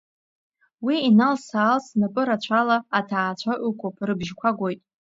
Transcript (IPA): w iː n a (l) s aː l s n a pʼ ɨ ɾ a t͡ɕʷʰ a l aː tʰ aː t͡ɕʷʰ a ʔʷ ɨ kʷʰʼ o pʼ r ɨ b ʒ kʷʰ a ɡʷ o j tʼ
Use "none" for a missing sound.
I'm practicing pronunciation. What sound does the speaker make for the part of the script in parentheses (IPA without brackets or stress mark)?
l